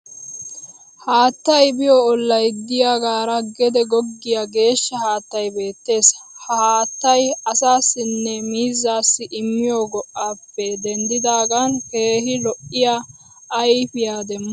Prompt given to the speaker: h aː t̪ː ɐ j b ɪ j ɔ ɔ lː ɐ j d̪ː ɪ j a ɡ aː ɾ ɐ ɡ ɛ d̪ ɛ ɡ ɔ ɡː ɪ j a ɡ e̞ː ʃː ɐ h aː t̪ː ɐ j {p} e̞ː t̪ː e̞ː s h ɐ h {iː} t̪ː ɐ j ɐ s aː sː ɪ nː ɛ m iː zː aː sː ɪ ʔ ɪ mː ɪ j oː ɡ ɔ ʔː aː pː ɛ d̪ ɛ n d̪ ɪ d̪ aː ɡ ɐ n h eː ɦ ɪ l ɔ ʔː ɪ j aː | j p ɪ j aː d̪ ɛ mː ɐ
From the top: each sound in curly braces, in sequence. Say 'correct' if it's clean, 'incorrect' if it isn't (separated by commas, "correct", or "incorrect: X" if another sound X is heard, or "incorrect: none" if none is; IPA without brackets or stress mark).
incorrect: b, incorrect: aː